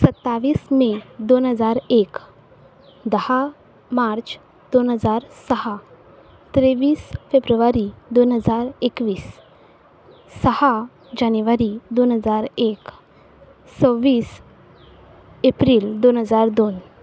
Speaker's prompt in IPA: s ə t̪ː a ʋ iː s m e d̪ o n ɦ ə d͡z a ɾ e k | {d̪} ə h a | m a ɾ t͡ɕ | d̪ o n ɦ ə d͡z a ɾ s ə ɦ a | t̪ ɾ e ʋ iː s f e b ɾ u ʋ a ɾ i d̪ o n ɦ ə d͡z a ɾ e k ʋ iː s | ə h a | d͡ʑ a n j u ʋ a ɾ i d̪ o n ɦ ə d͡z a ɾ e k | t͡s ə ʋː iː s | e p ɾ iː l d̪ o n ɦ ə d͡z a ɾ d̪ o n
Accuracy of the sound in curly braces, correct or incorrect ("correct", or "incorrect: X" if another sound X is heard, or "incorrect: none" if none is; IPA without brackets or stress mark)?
correct